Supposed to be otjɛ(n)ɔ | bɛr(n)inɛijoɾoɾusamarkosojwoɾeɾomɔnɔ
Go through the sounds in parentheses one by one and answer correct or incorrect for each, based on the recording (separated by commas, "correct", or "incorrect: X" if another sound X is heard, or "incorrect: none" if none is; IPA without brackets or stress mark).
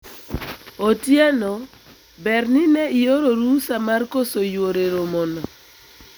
correct, correct